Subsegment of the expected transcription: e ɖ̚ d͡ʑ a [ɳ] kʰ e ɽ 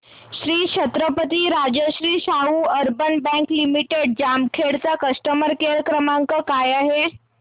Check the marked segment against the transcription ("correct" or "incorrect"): incorrect